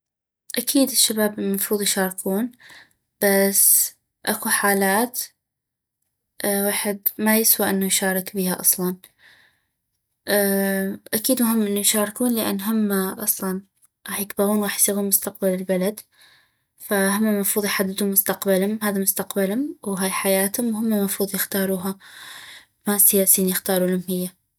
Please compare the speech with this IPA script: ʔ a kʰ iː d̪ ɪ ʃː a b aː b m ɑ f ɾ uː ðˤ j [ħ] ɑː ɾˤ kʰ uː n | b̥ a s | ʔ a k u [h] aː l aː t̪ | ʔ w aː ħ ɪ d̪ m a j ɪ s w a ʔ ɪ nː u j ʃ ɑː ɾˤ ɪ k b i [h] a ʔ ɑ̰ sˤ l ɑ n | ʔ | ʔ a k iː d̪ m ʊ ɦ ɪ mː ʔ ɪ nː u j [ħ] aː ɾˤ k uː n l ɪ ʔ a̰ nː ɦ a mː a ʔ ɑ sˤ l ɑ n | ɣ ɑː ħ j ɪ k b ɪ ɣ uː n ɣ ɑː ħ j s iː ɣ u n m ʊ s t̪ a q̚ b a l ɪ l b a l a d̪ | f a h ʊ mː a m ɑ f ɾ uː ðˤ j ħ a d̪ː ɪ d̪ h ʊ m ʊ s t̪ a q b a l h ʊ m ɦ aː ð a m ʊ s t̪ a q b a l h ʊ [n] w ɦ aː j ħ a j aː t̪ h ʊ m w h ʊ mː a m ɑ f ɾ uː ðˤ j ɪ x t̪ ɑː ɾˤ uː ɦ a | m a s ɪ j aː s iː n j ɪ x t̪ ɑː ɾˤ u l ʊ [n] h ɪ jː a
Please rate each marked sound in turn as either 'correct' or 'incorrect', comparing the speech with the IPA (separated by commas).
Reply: incorrect, incorrect, correct, incorrect, incorrect, incorrect